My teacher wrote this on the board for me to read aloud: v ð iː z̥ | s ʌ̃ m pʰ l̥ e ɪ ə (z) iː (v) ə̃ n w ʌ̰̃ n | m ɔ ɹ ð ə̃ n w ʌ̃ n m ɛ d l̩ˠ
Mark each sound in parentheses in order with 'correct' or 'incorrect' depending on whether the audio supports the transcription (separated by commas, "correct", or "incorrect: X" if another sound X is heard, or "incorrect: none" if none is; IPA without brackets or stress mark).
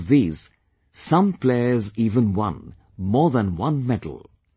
correct, correct